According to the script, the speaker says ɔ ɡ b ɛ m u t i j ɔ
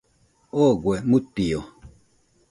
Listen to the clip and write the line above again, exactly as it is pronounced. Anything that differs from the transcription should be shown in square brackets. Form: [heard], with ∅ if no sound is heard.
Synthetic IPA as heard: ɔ ɡ [w] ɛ m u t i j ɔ